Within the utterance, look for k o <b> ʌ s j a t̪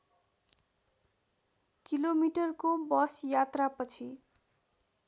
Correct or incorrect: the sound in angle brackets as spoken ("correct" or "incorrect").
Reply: correct